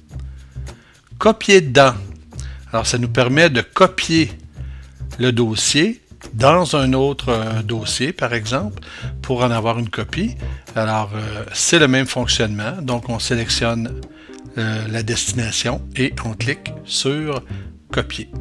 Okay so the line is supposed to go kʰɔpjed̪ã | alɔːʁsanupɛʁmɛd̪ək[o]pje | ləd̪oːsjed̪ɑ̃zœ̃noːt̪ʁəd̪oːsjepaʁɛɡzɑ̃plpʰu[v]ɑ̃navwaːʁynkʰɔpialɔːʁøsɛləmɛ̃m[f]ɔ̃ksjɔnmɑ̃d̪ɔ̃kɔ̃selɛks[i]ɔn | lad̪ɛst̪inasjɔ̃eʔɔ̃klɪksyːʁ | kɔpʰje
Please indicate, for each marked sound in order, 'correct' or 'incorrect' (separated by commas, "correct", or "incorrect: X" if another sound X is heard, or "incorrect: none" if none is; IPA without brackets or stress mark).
incorrect: ɔ, incorrect: ʁ, correct, incorrect: j